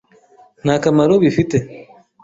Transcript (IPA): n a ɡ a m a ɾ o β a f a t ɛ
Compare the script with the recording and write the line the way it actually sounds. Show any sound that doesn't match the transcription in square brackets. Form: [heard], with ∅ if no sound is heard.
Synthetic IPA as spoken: n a [k] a m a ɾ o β [i] f [i] t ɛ